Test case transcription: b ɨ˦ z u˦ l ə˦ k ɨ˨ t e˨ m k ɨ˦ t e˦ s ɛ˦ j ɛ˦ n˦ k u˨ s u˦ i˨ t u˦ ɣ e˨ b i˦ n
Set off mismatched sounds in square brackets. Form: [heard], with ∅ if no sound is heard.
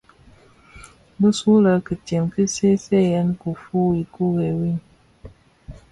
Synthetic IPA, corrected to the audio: b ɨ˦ [s] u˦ l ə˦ k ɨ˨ t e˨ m k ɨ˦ [s] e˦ s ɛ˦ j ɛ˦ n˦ k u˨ [f] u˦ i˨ [k] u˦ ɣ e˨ [w] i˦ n